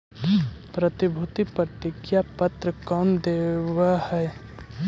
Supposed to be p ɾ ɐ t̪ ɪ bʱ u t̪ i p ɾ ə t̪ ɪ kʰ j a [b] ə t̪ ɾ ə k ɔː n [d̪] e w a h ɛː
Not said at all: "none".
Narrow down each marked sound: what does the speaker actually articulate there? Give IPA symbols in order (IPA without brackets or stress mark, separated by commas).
p, d̪